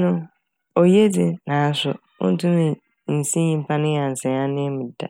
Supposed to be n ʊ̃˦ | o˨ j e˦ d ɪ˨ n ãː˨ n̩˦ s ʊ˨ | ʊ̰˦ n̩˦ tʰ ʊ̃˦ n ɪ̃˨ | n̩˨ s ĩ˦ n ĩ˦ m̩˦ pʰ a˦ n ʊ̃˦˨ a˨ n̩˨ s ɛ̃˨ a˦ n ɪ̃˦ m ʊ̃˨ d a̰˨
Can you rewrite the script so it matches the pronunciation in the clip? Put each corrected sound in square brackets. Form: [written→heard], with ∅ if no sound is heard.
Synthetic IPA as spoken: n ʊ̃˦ | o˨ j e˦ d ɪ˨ n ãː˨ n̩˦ s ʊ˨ | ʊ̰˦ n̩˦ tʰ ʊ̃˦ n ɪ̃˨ | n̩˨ s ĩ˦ [n→ɲ] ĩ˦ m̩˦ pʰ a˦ n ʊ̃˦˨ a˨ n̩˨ s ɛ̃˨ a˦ n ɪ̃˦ m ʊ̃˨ d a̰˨